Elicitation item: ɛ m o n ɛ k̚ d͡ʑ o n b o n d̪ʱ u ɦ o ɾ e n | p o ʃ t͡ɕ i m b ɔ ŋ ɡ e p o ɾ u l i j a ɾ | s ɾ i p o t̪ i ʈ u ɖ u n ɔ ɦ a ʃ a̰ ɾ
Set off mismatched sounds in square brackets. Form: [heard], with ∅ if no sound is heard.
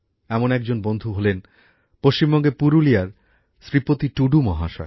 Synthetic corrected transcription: ɛ m o n ɛ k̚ d͡ʑ o n b o n d̪ʱ u ɦ o [l] e n | p o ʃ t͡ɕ i m b ɔ ŋ ɡ e p [u] ɾ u l i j a ɾ | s ɾ i p o t̪ i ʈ u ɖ u [m] ɔ ɦ a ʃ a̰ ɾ